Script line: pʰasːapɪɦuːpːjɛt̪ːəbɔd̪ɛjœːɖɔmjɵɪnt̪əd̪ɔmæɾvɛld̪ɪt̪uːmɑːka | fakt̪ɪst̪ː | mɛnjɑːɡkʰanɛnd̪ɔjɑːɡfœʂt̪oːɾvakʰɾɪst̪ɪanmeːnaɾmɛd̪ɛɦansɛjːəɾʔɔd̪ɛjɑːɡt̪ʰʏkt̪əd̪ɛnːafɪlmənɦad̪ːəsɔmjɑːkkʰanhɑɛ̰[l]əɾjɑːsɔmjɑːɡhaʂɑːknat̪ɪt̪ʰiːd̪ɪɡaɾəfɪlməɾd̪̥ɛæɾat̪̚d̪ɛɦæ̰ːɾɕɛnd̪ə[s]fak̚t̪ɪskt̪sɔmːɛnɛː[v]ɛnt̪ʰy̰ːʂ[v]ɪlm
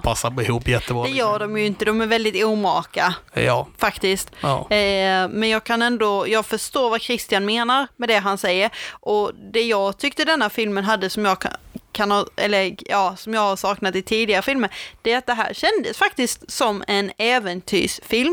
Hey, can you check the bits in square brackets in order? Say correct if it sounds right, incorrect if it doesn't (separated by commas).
incorrect, correct, correct, incorrect